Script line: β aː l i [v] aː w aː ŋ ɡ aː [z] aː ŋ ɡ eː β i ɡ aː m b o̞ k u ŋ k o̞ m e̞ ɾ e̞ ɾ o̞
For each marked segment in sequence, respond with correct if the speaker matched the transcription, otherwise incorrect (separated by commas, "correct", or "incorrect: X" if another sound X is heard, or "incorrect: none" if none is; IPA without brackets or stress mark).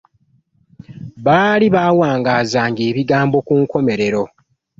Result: incorrect: β, correct